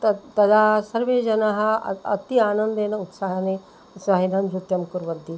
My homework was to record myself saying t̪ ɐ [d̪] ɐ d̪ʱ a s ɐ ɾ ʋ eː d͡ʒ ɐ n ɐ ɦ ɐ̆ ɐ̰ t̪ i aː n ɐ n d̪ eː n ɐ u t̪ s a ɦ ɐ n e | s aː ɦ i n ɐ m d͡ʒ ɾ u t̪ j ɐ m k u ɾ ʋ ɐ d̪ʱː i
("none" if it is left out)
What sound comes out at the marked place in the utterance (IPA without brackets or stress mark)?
t̪